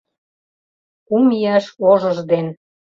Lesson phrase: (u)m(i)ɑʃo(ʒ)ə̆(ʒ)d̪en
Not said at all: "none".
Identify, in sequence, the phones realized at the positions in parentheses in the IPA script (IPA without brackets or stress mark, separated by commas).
u, i, ʒ, ʒ